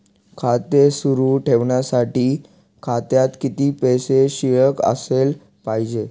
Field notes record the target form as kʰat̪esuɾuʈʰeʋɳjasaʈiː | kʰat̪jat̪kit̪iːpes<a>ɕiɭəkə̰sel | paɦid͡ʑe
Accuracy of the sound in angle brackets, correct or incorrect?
incorrect